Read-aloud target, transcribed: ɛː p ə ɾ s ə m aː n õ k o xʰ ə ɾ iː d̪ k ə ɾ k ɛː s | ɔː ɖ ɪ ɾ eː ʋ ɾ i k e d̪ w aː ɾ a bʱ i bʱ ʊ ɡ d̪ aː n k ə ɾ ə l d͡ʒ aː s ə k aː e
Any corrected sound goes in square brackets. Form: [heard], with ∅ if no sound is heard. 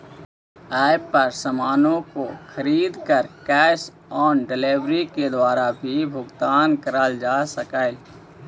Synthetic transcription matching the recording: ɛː p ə ɾ s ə m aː n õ k o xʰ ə ɾ iː d̪ k ə ɾ k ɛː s | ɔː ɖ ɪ [l] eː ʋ ɾ i k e d̪ w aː ɾ a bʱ i bʱ ʊ ɡ [t̪] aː n k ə ɾ ə l d͡ʒ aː s ə k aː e